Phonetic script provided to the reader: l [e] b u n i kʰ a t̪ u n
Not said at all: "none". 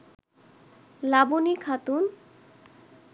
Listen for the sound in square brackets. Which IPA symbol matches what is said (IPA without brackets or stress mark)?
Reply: a